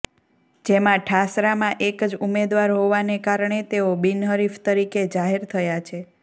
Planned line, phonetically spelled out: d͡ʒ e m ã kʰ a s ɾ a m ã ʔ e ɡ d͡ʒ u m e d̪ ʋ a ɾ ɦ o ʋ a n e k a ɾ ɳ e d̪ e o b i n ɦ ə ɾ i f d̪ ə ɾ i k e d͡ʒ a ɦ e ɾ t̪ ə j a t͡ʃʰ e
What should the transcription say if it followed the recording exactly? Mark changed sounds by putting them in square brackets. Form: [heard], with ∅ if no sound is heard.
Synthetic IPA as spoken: d͡ʒ e m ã [ʈʰ] a s ɾ a m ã ʔ e [k] d͡ʒ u m e d̪ ʋ a ɾ ɦ o ʋ a n e k a ɾ ɳ e [t̪] e o b i n ɦ ə ɾ i f [t̪] ə ɾ i k e d͡ʒ a ɦ e ɾ [t̪ʰ] ə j a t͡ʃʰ e